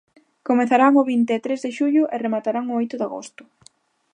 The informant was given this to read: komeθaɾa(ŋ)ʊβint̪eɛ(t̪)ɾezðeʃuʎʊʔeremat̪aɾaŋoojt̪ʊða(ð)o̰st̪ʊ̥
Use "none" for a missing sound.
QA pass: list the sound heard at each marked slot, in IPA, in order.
ŋ, t̪, ɣ

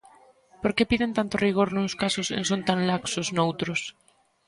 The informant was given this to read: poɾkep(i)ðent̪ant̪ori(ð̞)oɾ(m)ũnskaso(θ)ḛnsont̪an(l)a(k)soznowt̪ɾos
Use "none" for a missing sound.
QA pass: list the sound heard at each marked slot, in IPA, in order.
i, ɣ̞, n, s, l, k

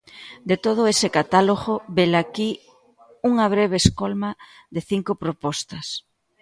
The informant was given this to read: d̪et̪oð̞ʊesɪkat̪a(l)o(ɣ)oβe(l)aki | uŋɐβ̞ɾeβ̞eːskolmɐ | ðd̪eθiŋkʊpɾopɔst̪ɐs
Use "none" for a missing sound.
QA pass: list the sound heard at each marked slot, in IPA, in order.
l, ɣ, l

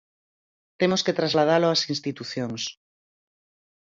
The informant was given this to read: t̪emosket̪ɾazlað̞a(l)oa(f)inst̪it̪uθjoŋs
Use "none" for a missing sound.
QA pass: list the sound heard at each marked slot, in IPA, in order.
l, s

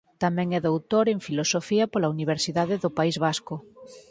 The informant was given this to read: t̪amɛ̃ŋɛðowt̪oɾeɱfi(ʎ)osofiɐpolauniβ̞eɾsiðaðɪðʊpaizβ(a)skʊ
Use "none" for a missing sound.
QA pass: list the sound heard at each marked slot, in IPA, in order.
l, a

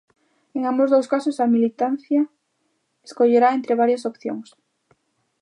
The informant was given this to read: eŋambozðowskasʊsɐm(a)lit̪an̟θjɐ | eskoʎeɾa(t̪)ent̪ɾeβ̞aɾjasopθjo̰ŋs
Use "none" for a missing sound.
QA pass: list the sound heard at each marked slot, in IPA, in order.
i, none

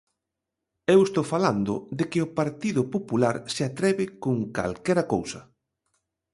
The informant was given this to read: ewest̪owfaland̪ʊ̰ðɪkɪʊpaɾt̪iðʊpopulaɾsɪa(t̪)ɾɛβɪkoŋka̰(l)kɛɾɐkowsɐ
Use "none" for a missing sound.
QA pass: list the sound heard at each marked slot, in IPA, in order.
t̪, l

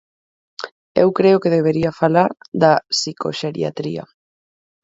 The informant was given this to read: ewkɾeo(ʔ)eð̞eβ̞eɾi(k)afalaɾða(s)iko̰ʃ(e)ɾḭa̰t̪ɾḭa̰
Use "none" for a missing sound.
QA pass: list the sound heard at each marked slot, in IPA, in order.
k, none, s, e

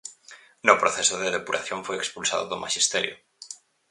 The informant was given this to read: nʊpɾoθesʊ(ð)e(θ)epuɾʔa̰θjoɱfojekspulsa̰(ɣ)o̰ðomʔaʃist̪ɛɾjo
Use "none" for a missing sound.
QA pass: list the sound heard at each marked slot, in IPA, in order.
ð, ð, ð

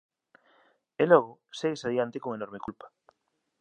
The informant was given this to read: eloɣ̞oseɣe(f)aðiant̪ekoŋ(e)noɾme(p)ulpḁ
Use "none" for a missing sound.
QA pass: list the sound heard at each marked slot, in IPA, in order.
s, e, k

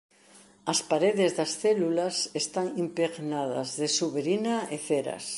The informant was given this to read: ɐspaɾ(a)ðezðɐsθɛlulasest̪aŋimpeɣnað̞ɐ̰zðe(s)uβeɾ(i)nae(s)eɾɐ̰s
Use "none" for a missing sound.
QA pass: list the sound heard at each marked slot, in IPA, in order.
e, s, i, θ

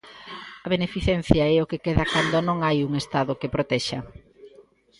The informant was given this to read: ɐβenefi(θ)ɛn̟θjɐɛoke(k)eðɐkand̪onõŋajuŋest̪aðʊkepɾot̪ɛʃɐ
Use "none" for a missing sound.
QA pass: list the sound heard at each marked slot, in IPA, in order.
θ, k

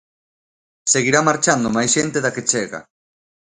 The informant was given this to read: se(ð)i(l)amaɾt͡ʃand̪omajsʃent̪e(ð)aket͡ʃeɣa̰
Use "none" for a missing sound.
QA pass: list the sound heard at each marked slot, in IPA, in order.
ɣ, ɾ, ð

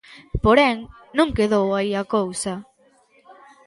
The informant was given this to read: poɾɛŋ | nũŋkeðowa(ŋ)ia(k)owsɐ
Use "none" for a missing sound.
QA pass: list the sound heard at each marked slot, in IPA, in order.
none, k

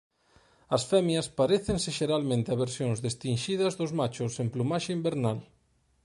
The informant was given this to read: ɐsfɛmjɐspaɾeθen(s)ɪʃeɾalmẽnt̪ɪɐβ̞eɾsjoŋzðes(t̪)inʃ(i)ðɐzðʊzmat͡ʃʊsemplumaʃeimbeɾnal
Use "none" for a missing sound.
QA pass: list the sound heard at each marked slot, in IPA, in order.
s, t̪, i

